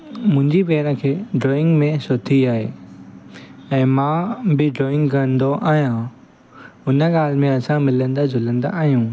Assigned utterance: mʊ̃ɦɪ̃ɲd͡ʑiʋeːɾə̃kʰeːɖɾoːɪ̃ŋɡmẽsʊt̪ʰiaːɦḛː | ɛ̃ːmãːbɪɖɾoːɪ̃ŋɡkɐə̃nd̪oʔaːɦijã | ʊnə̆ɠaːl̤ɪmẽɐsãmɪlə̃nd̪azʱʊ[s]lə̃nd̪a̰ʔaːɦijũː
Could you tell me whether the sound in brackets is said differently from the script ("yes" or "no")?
yes